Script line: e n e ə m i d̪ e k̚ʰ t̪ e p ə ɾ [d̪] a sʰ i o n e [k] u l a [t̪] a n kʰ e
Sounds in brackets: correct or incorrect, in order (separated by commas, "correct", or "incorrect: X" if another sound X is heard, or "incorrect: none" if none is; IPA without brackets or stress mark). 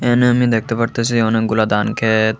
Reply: incorrect: t̪, incorrect: ɡ, incorrect: d̪